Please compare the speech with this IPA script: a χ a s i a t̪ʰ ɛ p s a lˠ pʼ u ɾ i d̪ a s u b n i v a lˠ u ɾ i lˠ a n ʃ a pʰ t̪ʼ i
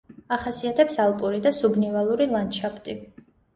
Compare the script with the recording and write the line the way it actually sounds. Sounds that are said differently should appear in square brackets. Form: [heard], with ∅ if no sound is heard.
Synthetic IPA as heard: a χ a s i a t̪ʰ ɛ p s a lˠ pʼ u ɾ i d̪ a s u b n i v a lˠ u ɾ i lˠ a n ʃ a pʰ t̪ʼ i